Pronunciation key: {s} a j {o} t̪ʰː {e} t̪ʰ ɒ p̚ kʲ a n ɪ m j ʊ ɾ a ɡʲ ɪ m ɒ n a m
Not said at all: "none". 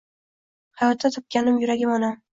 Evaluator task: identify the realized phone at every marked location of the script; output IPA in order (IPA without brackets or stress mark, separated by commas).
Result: h, ɒ, a